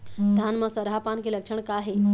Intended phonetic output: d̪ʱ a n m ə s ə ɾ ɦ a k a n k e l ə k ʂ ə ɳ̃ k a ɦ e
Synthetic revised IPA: d̪ʱ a n m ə s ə ɾ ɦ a p a n k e l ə k ʂ ə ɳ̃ k a ɦ e